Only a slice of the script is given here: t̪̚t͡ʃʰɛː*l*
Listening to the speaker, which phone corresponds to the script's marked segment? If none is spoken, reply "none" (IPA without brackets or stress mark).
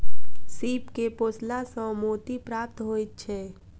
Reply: none